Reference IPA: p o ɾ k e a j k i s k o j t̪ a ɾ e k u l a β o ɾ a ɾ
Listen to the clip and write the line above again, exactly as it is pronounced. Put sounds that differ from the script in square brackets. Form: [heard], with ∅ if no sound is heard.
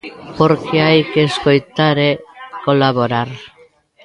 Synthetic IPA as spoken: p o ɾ k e a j k [e] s k o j t̪ a ɾ e k [o] l a β o ɾ a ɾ